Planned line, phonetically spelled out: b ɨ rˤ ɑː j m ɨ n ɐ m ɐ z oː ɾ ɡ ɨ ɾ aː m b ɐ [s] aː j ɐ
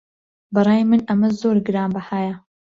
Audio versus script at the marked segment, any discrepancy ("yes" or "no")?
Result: yes